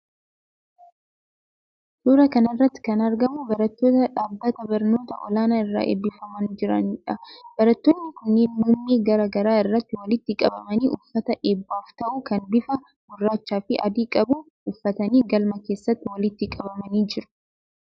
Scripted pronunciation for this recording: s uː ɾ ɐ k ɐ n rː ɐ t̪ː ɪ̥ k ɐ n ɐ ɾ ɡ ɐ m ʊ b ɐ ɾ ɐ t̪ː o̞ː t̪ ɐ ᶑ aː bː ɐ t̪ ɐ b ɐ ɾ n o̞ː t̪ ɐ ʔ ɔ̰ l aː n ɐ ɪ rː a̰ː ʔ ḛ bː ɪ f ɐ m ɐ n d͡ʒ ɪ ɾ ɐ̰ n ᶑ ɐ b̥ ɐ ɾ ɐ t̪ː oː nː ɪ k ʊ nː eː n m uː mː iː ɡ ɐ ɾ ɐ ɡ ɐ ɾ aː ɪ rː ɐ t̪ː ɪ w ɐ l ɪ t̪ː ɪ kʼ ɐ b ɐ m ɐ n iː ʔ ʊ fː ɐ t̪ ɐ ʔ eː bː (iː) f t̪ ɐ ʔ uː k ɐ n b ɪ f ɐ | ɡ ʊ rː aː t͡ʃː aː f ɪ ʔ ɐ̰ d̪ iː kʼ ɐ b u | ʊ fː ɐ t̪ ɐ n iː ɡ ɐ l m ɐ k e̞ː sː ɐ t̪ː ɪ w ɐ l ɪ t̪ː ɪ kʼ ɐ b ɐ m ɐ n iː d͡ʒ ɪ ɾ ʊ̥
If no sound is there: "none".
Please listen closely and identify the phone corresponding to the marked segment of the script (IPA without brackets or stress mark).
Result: aː